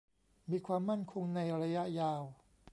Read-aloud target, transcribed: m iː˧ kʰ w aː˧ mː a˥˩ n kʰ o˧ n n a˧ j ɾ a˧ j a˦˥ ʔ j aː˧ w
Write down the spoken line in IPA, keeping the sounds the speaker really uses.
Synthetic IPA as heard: m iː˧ kʰ w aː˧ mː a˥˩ n kʰ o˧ ŋ n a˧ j ɾ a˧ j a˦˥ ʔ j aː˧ w

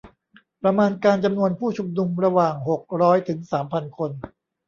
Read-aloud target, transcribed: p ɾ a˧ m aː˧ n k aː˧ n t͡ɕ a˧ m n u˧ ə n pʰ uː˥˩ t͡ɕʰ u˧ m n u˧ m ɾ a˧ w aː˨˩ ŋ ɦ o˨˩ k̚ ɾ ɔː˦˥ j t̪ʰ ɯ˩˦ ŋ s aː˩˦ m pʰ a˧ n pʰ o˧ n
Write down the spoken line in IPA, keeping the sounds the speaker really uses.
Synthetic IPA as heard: p ɾ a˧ m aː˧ n k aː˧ n t͡ɕ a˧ m n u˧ ə n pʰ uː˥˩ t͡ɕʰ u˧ m n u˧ m ɾ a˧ w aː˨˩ ŋ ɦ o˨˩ k̚ ɾ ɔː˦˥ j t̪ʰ ɯ˩˦ ŋ s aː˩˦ m pʰ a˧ n kʰ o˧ n

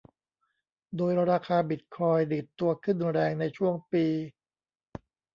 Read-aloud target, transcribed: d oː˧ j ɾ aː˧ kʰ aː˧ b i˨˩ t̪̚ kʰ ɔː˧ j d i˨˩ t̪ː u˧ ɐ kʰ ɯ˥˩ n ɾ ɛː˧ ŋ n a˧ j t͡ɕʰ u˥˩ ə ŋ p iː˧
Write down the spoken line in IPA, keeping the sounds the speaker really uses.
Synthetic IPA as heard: d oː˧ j ɾ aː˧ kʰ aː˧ b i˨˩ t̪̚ kʰ ɔː˧ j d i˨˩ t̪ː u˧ ɐ kʰ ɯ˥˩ n ɾ ɛː˧ ŋ n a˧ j t͡ɕʰ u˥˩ ə ŋ p iː˧

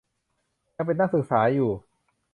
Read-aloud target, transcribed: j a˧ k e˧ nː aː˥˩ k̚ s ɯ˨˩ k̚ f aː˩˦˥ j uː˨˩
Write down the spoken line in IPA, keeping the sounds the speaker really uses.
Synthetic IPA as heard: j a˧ p e˧ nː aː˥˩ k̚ s ɯ˨˩ k̚ s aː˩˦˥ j uː˨˩

